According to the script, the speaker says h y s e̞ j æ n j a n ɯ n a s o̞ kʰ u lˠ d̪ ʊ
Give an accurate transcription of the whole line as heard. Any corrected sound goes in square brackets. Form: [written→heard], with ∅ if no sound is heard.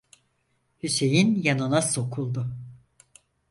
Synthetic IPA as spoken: h y s e̞ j [æ→i] n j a n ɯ n a s o̞ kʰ u lˠ d̪ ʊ